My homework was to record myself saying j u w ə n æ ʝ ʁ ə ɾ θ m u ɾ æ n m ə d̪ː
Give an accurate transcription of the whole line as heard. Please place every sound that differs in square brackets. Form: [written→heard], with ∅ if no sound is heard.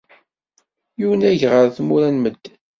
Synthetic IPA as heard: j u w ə n æ ʝ ʁ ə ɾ θ m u ɾ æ n m ə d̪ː